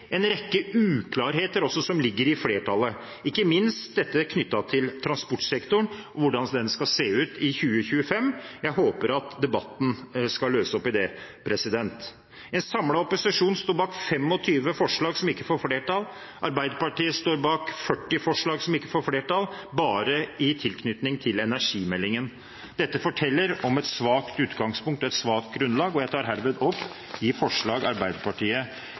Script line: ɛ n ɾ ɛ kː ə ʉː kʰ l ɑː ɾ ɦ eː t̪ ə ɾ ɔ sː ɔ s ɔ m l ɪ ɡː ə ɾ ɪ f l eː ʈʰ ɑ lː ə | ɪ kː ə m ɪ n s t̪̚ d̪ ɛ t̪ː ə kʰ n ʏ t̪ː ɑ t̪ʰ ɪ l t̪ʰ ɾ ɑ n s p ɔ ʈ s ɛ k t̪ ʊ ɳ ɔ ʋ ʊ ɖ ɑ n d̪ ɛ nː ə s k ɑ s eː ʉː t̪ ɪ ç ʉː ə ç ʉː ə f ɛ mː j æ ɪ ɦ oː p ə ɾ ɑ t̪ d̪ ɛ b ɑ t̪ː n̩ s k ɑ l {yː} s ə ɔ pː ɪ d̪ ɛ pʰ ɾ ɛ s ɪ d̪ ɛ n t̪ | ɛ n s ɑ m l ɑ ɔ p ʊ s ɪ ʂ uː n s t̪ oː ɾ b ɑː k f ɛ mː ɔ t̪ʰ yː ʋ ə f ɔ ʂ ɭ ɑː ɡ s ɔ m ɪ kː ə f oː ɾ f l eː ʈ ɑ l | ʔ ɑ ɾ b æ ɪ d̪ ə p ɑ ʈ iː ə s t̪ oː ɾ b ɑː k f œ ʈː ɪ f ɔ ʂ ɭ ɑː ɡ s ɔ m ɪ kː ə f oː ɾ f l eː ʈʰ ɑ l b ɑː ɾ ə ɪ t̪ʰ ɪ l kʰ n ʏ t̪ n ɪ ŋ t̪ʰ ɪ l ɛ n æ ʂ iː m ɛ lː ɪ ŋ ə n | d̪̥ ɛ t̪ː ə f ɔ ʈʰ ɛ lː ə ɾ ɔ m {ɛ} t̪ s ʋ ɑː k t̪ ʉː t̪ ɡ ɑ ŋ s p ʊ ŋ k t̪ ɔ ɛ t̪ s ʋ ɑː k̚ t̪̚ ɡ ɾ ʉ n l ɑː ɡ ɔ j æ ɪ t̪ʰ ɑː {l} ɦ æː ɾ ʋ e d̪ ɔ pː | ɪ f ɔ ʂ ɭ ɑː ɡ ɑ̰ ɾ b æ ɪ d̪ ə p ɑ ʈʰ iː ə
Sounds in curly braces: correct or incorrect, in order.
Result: incorrect, correct, incorrect

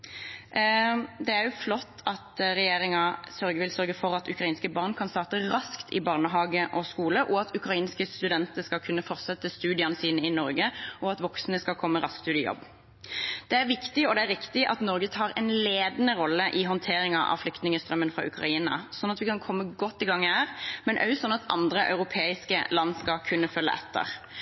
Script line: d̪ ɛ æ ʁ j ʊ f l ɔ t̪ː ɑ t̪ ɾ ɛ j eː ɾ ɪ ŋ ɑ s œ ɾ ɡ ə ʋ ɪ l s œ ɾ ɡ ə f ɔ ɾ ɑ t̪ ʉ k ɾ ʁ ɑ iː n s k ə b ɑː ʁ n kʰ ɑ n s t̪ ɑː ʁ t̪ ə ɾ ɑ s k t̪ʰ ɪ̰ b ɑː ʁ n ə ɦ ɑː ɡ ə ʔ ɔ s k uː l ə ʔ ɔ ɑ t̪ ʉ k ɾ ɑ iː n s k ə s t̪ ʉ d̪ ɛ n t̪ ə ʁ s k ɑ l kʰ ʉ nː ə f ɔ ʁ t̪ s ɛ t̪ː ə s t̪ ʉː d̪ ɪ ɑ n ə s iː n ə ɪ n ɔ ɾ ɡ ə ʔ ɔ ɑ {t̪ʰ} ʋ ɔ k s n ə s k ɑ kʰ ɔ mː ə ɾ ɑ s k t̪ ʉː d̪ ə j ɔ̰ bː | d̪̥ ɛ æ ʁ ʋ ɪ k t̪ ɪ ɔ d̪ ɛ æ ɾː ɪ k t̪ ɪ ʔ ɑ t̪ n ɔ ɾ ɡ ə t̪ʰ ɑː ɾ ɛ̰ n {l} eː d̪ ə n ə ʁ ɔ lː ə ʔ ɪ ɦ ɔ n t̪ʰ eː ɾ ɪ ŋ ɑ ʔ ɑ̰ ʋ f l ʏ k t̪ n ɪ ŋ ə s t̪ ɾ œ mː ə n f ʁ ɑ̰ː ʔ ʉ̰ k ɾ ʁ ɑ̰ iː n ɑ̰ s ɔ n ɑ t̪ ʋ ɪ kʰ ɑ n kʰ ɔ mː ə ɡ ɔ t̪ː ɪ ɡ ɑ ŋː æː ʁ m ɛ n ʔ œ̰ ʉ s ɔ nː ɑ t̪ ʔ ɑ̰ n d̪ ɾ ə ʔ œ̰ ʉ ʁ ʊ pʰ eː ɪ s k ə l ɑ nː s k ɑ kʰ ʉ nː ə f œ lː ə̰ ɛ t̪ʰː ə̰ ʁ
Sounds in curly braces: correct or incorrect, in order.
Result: incorrect, correct

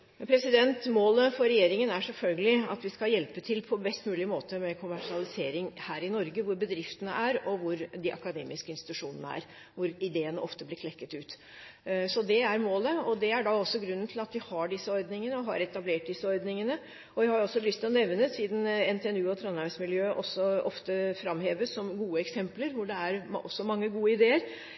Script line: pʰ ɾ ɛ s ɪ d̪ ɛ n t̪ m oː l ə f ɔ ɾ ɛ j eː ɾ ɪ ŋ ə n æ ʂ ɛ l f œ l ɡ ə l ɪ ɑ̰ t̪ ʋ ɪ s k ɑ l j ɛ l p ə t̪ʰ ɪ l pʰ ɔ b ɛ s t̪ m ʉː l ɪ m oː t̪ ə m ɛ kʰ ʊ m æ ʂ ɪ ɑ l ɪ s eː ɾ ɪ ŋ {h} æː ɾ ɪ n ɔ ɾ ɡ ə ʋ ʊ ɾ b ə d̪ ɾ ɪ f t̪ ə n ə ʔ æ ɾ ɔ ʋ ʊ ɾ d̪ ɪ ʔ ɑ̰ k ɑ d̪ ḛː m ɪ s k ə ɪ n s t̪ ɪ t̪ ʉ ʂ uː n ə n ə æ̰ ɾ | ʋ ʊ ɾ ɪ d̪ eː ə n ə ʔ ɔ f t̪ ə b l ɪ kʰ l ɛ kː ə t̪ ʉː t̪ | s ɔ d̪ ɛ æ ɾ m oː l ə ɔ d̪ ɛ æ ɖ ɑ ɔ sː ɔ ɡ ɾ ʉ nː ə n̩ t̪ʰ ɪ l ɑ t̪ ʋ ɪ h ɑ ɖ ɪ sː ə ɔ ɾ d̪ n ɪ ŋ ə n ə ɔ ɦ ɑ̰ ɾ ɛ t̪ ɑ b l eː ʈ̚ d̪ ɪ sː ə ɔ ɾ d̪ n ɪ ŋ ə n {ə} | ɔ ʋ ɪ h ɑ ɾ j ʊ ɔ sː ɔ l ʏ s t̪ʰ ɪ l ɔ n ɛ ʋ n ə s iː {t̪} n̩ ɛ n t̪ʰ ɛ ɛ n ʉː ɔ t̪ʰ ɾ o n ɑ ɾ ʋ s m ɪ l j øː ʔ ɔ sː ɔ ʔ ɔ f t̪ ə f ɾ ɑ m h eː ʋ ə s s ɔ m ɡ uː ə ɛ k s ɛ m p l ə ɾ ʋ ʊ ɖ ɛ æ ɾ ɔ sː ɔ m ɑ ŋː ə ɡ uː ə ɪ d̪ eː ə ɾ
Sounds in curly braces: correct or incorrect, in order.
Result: correct, correct, incorrect

